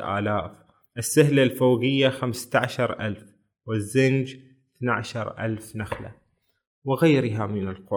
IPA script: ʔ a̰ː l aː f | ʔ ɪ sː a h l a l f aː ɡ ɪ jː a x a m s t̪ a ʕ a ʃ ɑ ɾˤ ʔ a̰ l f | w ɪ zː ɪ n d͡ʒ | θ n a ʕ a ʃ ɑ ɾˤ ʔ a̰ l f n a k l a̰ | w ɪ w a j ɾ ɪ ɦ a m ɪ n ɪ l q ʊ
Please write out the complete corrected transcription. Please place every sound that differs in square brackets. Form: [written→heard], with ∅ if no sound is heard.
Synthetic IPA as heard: ʔ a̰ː l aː f | ʔ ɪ sː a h l a l f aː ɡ ɪ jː a x a m s t̪ a ʕ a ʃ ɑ ɾˤ ʔ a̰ l f | w ɪ zː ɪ n d͡ʒ | θ n a ʕ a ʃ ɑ ɾˤ ʔ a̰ l f n a [k→x] l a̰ | w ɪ [w→ɣ] a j ɾ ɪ ɦ a m ɪ n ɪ l q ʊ